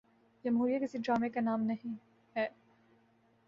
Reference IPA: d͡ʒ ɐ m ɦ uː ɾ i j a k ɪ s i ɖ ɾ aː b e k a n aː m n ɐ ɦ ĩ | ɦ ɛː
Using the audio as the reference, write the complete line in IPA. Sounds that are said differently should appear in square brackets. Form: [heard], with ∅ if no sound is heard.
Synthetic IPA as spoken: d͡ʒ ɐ m ɦ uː ɾ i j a k ɪ s i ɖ ɾ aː [m] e k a n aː m n ɐ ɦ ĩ | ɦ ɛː